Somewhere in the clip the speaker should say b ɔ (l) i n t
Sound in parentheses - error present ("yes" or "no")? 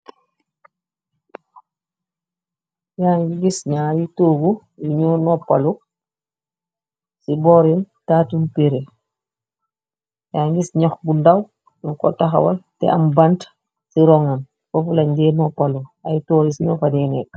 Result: yes